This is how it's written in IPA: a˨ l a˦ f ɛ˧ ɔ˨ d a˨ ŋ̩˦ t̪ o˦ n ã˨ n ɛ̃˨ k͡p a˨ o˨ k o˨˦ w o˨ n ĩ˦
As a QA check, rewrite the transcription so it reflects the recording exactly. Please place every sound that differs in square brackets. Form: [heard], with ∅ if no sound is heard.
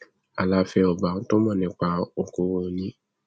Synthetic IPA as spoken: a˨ l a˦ f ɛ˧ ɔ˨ [b] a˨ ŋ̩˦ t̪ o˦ [m] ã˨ n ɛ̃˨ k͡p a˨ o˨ k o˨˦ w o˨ n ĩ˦